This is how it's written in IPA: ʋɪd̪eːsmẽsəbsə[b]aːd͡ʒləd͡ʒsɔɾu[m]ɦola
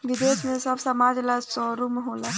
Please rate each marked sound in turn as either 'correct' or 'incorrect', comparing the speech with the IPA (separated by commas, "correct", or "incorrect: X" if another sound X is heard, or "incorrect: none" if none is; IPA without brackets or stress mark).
incorrect: m, correct